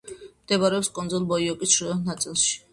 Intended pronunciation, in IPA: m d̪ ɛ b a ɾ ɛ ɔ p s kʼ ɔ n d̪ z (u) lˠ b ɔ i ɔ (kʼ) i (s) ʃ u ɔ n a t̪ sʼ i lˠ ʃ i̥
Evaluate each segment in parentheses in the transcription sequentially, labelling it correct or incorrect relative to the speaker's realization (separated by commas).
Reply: incorrect, correct, correct